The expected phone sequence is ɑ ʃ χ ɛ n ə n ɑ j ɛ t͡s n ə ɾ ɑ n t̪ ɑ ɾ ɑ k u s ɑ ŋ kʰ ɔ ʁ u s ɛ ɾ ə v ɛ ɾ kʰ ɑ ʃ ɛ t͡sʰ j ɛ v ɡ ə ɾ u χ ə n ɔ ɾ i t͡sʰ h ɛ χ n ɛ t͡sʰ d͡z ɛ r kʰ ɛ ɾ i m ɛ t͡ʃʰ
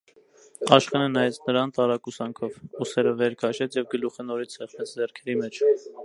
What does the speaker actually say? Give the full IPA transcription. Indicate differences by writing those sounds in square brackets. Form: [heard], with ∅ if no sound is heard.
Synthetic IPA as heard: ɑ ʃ χ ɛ n ə n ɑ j ɛ t͡s n ə ɾ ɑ n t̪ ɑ ɾ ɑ k u s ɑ ŋ kʰ ɔ [v] u s ɛ ɾ ə v ɛ ɾ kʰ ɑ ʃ ɛ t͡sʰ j ɛ v ɡ ə [l] u χ ə n ɔ ɾ i t͡sʰ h ɛ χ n ɛ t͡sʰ d͡z ɛ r kʰ ɛ ɾ i m ɛ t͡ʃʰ